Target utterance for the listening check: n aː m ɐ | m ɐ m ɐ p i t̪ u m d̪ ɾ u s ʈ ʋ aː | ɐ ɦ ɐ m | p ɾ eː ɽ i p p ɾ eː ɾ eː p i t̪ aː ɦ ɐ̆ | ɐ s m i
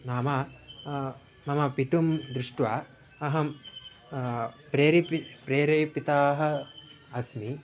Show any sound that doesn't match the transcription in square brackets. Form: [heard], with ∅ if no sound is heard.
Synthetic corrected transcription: n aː m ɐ | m ɐ m ɐ p i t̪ u m d̪ ɾ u [ʂ] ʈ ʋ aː | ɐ ɦ ɐ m | p ɾ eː [ɾ] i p p ɾ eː ɾ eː p i t̪ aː ɦ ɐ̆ | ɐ s m i